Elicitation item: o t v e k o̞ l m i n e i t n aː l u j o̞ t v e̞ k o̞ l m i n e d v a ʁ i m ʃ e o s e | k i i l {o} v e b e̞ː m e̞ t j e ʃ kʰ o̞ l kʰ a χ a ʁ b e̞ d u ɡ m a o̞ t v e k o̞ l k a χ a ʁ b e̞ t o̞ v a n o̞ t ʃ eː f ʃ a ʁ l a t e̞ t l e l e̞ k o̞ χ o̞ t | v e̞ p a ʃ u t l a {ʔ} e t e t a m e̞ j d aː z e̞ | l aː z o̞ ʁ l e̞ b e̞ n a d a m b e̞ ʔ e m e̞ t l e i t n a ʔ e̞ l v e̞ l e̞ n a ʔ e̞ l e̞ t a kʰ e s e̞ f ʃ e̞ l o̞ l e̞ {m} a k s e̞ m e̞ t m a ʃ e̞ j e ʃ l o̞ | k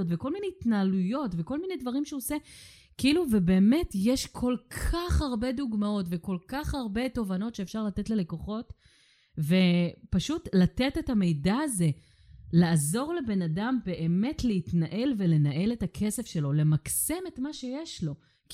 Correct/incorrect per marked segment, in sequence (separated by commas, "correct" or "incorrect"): incorrect, incorrect, correct